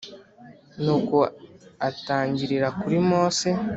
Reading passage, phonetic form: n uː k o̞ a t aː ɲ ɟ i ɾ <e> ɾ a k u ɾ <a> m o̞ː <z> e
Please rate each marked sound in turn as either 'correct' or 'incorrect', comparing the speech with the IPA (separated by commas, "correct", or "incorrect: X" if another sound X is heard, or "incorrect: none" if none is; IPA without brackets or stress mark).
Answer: incorrect: i, incorrect: i, incorrect: s